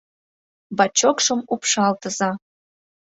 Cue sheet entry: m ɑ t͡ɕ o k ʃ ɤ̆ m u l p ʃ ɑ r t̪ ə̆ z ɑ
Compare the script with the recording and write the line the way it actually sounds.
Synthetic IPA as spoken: b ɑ t͡ɕ o k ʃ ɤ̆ m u p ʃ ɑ l t̪ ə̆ z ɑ